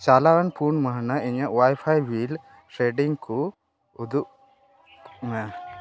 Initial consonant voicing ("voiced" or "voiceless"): voiceless